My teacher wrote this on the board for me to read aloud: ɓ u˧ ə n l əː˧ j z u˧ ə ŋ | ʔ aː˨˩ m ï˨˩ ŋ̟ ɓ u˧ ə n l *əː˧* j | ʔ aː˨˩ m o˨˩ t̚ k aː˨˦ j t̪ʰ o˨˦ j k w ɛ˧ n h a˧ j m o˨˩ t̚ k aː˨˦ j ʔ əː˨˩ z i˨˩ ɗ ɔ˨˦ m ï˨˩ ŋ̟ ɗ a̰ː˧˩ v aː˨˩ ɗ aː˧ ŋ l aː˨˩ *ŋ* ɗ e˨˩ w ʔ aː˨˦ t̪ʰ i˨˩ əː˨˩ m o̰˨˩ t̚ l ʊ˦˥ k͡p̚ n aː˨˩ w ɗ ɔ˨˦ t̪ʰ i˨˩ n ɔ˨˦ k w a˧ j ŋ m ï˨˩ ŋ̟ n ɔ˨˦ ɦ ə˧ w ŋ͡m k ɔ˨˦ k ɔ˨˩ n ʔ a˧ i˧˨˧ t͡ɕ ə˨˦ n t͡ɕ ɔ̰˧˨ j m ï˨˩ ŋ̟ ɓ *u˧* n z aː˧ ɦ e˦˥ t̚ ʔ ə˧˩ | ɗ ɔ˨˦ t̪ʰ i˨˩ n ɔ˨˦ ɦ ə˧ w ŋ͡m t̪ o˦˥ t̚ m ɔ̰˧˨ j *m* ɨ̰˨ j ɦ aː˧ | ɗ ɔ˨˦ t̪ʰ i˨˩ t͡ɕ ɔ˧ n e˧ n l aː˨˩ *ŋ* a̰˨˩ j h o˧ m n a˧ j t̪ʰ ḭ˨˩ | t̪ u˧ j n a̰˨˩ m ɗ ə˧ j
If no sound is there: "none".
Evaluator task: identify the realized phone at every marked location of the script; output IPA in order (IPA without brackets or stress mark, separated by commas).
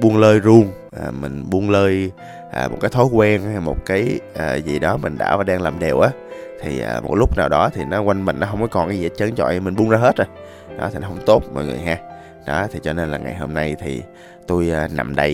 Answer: əː˧, m, u˧, ŋ, ŋ